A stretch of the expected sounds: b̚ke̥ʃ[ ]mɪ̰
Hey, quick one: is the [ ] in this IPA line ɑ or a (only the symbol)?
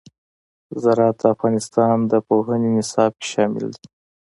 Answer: ɑ